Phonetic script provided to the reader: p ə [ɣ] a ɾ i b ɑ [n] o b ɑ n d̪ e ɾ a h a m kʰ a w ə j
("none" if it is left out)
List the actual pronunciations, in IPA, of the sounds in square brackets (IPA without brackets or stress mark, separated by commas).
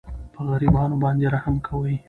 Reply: ɣ, n